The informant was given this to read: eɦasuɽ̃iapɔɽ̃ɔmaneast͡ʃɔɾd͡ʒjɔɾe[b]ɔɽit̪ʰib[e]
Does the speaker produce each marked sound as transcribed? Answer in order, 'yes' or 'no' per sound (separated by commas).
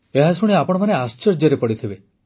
no, yes